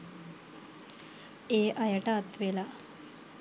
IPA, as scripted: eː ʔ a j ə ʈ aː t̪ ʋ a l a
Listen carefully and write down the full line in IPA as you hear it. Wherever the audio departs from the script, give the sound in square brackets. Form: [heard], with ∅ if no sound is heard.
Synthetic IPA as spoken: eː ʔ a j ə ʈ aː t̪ ʋ [e] l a

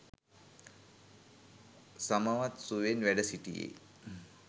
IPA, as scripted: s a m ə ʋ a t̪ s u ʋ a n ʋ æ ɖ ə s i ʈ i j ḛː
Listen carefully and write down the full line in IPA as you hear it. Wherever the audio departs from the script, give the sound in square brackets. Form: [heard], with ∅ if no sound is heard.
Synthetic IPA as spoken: s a m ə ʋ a t̪ s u ʋ [e] n ʋ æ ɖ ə s i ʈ i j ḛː

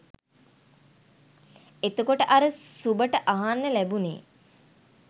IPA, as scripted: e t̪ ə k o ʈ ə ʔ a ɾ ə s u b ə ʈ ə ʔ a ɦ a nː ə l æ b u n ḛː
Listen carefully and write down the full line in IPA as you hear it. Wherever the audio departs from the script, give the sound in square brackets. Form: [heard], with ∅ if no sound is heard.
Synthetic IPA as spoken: e t̪ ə k o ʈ ə ʔ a ɾ ə s u b ə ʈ ə ʔ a ɦ a nː ə l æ b u n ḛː

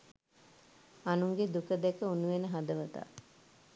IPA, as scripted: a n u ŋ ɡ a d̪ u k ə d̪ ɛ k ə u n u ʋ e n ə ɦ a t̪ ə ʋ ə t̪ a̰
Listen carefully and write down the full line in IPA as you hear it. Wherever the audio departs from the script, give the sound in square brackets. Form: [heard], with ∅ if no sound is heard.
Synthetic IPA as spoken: a n u ŋ ɡ [e] d̪ u k ə d̪ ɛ k ə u n u ʋ e n ə ɦ a [d̪] ə ʋ ə t̪ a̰

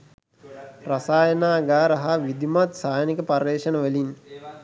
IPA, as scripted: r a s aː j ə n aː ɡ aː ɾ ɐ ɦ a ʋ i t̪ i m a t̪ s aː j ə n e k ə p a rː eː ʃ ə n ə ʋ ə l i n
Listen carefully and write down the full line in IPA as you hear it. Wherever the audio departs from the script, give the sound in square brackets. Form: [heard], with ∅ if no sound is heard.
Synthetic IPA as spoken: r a s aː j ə n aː ɡ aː ɾ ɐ ɦ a ʋ i [d̪] i m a t̪ s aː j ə n [i] k ə p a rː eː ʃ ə n ə ʋ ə l i n

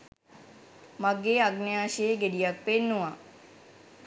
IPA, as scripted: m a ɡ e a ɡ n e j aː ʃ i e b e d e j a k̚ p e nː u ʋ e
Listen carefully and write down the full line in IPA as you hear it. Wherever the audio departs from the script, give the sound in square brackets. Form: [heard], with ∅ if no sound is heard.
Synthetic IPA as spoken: m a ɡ e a ɡ n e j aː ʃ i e [ɡ] e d [i] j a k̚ p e nː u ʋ [a]

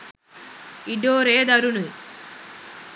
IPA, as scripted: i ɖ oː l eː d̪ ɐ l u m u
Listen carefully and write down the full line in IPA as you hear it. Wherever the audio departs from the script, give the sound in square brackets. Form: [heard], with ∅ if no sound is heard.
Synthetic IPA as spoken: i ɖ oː [ɾ] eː d̪ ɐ [ɾ] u [n] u

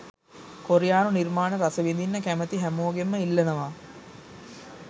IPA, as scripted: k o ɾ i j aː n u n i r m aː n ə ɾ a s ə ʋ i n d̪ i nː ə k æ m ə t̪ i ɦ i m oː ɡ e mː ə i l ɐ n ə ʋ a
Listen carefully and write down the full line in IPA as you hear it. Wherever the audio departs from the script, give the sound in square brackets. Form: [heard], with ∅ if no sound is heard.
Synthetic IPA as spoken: k o ɾ i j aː n u n i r m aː n ə ɾ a s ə ʋ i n d̪ i nː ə k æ m ə t̪ i ɦ [æ] m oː ɡ e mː ə i [lː] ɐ n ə ʋ a

